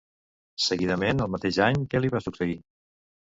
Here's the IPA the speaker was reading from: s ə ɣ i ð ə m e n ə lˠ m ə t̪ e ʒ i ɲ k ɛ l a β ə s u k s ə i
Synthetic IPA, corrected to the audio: s ə ɣ i ð ə m e n ə lˠ m ə t̪ e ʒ a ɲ k ɛ l i β a s u k s ə i